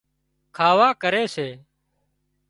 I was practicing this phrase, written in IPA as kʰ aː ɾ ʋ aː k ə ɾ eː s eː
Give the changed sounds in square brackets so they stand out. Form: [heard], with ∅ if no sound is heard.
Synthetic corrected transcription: kʰ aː [∅] ʋ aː k ə ɾ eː s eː

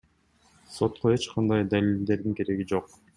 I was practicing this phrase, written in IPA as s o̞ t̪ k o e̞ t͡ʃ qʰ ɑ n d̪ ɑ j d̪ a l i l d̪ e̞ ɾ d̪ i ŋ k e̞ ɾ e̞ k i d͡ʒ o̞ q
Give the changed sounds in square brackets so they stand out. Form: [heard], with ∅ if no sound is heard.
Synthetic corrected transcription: s o̞ t̪ [q] o e̞ t͡ʃ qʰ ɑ n d̪ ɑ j d̪ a l i l d̪ e̞ ɾ d̪ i ŋ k e̞ ɾ e̞ [ɡ] i d͡ʒ o̞ q

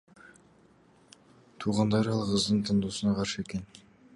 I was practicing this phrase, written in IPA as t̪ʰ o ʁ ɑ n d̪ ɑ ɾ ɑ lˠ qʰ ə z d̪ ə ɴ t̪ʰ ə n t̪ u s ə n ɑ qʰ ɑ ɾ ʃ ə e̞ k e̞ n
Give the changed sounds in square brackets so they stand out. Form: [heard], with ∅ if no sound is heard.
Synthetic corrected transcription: t̪ʰ [u] ʁ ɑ n d̪ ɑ ɾ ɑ lˠ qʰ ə z d̪ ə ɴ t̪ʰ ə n [d̪] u s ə n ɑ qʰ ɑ ɾ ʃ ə e̞ k e̞ n

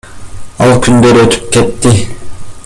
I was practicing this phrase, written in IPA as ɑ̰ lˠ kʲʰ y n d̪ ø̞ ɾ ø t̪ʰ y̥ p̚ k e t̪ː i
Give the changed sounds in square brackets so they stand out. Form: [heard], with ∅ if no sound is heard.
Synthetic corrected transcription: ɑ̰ lˠ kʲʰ y n d̪ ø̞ ɾ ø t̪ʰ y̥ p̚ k e t̪ː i

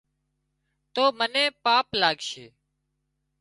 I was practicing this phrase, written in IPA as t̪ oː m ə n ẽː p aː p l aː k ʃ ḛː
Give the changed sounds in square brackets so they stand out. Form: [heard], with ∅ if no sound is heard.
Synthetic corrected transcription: t̪ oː m ə n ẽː p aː p l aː [ɡ] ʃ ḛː

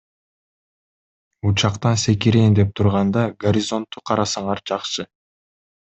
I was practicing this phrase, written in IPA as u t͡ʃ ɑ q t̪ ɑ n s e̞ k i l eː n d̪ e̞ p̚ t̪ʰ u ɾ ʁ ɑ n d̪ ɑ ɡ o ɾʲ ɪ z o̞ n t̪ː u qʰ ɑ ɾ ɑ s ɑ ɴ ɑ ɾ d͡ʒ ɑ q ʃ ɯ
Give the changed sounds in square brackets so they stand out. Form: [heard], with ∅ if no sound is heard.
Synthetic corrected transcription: u t͡ʃ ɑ q t̪ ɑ n s e̞ k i [ɾ] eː n d̪ e̞ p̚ t̪ʰ u ɾ ʁ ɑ n d̪ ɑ ɡ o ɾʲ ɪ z o̞ n t̪ː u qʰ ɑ ɾ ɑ s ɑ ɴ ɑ ɾ d͡ʒ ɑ q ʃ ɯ

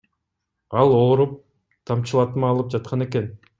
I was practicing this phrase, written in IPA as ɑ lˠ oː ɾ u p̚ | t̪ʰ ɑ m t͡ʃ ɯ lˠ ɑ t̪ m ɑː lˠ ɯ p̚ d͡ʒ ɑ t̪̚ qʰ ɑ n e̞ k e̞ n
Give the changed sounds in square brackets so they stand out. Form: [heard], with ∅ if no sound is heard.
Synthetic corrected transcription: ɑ lˠ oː ɾ u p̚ | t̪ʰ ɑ m t͡ʃ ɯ lˠ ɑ t̪ m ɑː lˠ ɯ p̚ d͡ʒ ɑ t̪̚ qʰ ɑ n e̞ k e̞ n

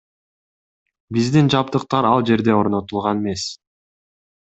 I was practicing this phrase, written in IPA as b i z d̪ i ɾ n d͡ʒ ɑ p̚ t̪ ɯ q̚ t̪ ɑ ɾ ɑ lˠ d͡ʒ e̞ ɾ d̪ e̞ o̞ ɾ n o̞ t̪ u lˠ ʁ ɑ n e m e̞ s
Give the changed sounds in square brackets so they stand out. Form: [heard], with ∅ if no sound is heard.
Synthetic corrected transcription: b i z d̪ i [∅] n d͡ʒ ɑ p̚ t̪ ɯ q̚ t̪ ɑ ɾ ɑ lˠ d͡ʒ e̞ ɾ d̪ e̞ o̞ ɾ n o̞ t̪ u lˠ ʁ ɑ n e m e̞ s

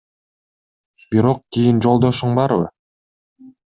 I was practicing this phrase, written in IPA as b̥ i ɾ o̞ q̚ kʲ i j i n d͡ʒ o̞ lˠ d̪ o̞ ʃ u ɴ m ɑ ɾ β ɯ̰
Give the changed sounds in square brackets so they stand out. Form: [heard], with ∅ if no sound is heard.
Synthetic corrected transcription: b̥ i ɾ o̞ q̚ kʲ i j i n d͡ʒ o̞ lˠ d̪ o̞ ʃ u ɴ [b] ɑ ɾ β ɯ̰

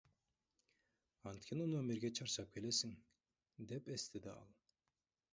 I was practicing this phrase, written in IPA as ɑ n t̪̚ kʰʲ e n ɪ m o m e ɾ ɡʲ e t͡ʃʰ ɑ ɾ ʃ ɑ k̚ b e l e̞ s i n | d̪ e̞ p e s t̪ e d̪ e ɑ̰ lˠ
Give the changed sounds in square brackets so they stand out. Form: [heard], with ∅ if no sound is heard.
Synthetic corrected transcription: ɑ n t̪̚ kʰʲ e n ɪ [n] o m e ɾ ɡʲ e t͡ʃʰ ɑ ɾ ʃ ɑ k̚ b e l e̞ s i [ŋ] | d̪ e̞ p e s t̪ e d̪ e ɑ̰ lˠ

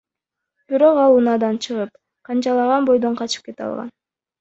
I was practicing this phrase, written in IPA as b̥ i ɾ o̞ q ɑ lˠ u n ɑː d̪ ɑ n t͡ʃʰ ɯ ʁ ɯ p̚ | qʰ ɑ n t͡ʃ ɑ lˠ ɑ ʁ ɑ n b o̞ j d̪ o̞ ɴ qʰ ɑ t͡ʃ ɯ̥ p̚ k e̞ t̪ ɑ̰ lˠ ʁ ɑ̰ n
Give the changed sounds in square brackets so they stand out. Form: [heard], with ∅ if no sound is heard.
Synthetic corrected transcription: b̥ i ɾ o̞ q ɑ lˠ u n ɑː d̪ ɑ n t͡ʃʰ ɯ ʁ ɯ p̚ | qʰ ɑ n t͡ʃ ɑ lˠ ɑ ʁ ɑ n b o̞ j d̪ o̞ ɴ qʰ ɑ t͡ʃ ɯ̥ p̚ k e̞ t̪ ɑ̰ lˠ ʁ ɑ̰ n

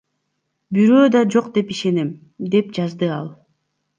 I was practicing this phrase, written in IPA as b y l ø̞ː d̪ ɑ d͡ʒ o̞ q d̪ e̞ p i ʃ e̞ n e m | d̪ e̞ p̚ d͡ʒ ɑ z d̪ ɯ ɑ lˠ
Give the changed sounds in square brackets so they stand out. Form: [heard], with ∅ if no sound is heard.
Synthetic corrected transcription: b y [ɾ] ø̞ː d̪ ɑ d͡ʒ o̞ q d̪ e̞ p i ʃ e̞ n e m | d̪ e̞ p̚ d͡ʒ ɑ z d̪ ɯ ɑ lˠ

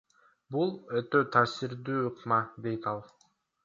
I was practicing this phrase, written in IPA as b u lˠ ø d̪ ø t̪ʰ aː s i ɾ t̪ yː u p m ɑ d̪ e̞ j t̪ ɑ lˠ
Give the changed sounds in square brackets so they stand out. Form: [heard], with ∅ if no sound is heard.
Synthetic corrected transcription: b u lˠ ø [t̪] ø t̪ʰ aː s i ɾ [d̪] yː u [q] m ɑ d̪ e̞ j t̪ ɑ lˠ

